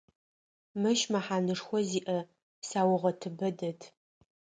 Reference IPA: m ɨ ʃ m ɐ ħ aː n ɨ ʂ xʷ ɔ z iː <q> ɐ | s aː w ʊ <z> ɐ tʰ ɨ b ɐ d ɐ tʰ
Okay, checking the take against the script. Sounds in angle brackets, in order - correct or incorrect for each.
incorrect: ʔ, incorrect: ʁ

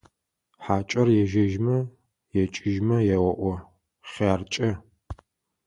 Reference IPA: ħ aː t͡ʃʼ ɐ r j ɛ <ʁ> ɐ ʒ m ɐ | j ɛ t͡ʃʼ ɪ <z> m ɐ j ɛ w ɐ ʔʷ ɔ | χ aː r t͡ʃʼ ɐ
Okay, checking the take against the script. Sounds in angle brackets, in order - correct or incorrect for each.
incorrect: ʒ, incorrect: ʒ

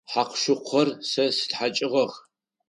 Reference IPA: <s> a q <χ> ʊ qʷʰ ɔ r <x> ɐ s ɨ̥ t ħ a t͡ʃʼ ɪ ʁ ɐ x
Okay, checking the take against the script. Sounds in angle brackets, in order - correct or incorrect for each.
incorrect: ħ, incorrect: ʃ, incorrect: s

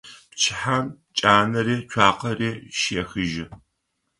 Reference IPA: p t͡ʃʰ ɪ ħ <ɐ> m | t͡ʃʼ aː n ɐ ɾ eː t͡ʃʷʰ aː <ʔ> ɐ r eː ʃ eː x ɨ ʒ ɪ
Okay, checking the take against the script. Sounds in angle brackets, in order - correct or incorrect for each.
incorrect: a, incorrect: q

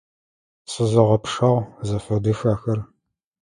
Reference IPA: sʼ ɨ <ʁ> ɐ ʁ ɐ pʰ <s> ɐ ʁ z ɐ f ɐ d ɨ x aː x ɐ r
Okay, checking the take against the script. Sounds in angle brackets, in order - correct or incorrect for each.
incorrect: z, incorrect: ʂ

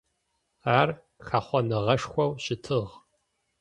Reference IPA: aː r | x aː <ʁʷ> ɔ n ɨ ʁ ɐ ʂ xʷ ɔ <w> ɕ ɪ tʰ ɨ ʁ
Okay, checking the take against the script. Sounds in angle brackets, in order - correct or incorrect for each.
incorrect: χʷ, correct

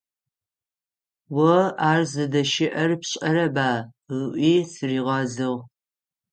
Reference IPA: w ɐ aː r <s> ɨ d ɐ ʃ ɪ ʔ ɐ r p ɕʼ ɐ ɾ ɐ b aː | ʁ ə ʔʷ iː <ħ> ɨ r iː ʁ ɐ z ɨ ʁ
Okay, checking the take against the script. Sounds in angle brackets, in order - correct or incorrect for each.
incorrect: z, incorrect: s

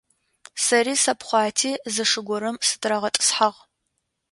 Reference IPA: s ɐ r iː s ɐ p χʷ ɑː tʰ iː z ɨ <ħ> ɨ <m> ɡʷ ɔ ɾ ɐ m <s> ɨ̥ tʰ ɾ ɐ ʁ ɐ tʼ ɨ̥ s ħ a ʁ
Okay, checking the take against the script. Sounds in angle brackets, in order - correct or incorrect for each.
incorrect: ʂ, incorrect: none, correct

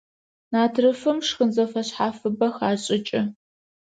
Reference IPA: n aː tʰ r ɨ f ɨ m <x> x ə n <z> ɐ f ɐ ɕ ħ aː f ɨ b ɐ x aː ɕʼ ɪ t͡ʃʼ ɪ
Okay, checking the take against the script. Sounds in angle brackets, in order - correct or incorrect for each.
incorrect: ʂ, correct

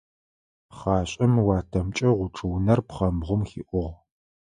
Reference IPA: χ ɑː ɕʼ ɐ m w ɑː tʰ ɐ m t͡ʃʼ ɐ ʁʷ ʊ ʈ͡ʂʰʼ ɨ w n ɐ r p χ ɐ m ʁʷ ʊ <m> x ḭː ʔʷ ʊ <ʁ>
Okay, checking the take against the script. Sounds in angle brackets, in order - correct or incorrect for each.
correct, correct

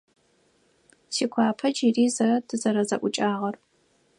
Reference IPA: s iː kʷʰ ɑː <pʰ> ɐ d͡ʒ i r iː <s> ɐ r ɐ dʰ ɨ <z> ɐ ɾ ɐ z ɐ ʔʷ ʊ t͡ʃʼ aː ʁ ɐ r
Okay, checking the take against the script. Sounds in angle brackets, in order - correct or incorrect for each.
correct, incorrect: z, correct

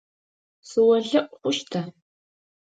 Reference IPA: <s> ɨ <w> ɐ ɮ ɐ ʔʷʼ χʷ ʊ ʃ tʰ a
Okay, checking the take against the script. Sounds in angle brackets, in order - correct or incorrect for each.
correct, correct

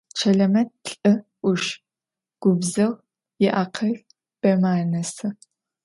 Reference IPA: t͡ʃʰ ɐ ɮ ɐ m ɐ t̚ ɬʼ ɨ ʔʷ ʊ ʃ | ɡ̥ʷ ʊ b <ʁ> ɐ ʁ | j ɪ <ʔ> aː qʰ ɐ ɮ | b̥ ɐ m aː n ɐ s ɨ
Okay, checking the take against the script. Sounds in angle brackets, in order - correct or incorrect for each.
incorrect: z, correct

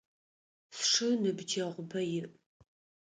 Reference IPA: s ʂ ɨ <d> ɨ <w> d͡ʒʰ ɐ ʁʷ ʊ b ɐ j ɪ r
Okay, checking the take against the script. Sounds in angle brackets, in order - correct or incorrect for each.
incorrect: n, incorrect: b

